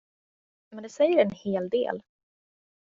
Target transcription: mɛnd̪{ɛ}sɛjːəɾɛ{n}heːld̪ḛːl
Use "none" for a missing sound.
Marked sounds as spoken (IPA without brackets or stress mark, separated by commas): ɛ, n